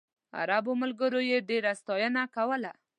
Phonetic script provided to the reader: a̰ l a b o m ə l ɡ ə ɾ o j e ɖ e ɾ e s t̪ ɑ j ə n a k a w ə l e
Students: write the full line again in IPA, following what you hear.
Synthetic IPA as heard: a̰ ɾ a b o m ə l ɡ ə ɾ o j e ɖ e ɾ a s t̪ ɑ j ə n a k a w ə l a